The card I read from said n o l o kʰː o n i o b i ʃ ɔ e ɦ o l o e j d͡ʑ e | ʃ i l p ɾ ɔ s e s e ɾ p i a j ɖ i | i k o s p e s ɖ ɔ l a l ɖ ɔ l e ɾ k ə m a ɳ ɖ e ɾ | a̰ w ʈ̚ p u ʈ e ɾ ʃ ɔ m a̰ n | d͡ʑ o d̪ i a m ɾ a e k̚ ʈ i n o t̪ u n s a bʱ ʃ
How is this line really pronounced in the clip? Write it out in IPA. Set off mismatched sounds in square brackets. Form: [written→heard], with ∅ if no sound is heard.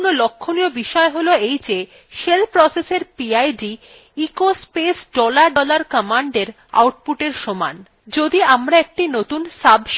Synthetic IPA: n o l o kʰː o n i o b i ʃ ɔ e ɦ o l o e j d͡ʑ e | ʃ [i→e] l p ɾ ɔ s e s e ɾ p i a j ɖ i | i k o s p e s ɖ ɔ l a [l→ɾ] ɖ ɔ l [e→a] ɾ k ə m a ɳ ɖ e ɾ | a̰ w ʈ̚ p u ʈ e ɾ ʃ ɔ m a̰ n | d͡ʑ o d̪ i a m ɾ a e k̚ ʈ i n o t̪ u n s a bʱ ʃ